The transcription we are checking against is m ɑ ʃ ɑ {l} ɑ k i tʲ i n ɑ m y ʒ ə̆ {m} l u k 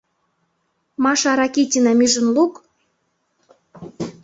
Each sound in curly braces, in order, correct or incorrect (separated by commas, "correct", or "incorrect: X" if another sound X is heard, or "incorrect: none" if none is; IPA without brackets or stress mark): incorrect: ɾ, incorrect: n